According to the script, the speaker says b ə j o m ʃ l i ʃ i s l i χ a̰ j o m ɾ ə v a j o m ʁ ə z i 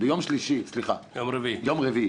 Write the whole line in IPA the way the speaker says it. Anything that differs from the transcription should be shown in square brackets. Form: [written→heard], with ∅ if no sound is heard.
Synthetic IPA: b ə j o m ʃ l i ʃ i s l i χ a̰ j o m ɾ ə v [a→i] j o m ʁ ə [z→v] i